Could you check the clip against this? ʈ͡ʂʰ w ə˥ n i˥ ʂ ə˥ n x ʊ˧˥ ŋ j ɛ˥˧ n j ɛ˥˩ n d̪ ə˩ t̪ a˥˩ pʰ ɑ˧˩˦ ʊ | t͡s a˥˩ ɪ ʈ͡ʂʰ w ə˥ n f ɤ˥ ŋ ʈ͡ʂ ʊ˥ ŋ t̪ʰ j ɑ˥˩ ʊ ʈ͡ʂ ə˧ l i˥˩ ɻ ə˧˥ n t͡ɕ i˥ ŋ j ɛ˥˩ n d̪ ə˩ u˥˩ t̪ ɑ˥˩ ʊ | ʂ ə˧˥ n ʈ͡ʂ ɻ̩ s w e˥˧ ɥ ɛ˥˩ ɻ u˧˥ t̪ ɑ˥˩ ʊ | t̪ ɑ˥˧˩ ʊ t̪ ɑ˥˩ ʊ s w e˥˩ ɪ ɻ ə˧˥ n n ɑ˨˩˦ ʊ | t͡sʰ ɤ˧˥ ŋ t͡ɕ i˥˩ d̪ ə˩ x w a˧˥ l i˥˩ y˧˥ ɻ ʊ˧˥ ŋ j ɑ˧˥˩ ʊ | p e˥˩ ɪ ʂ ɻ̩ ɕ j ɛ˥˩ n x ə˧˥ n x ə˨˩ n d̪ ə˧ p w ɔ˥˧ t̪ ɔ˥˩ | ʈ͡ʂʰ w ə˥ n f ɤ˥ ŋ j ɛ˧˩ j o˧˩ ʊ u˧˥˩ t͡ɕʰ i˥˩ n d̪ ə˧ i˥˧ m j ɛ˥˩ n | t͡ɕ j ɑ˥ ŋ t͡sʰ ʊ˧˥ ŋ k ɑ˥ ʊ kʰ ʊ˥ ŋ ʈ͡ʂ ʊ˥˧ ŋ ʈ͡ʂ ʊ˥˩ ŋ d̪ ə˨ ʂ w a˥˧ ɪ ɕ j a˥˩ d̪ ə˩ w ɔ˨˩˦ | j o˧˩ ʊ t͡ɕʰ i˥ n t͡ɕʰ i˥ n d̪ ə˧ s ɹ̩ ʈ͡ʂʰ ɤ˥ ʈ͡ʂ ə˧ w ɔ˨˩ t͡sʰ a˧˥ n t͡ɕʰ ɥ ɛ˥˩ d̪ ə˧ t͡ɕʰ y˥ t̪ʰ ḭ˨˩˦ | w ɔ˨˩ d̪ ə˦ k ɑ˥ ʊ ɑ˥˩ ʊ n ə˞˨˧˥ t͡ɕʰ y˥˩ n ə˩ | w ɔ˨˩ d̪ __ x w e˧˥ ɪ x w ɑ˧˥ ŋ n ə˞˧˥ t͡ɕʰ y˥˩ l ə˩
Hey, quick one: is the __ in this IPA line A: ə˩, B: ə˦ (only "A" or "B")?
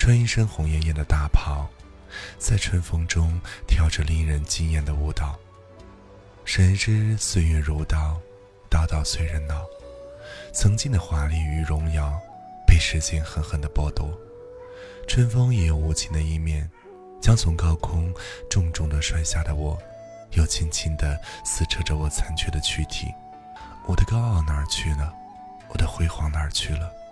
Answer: B